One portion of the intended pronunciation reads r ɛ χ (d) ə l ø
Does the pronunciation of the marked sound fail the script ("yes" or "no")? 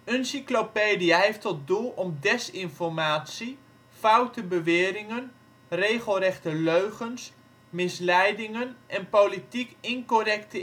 yes